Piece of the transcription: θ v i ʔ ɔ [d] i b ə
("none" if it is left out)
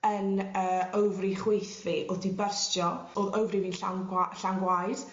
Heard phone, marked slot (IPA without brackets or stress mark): d